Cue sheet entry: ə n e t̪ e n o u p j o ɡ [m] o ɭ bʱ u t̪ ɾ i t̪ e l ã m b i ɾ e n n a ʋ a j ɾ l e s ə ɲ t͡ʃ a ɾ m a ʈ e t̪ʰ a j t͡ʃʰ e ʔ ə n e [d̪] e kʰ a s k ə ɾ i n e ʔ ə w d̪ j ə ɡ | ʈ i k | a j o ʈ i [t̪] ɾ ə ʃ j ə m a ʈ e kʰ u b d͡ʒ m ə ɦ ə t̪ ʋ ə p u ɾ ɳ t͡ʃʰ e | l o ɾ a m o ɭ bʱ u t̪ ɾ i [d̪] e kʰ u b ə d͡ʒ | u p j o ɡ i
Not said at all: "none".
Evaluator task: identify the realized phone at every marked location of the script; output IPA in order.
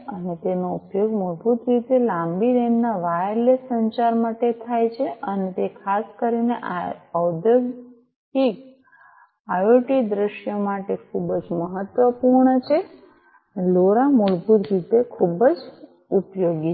m, t̪, d̪, t̪

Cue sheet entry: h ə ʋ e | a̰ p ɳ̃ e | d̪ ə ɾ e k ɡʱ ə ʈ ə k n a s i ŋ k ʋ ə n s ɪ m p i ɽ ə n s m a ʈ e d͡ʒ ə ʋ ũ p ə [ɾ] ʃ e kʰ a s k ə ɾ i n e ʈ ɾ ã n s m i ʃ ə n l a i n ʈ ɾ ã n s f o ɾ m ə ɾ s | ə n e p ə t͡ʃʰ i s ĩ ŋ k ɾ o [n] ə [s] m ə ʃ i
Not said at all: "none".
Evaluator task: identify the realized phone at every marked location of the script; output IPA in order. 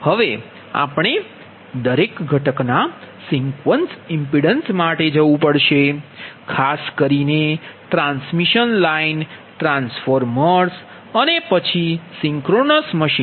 ɽ, n, s

